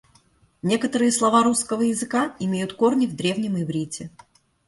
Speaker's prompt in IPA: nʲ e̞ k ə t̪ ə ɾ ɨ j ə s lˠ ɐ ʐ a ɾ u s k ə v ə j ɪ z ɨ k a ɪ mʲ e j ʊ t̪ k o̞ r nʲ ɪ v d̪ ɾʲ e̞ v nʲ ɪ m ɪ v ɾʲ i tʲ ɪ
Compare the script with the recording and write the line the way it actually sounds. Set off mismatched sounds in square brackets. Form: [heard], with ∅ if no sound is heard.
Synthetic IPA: nʲ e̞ k ə t̪ ə ɾ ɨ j ə s lˠ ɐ [v] a ɾ u s k ə v ə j ɪ z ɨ k a ɪ mʲ e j ʊ t̪ k o̞ r nʲ ɪ v d̪ ɾʲ e̞ v nʲ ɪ m ɪ v ɾʲ i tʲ ɪ